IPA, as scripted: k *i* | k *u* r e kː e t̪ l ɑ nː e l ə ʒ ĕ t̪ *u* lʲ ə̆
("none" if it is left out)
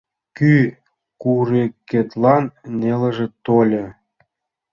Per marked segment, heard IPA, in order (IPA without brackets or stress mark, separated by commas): y, u, o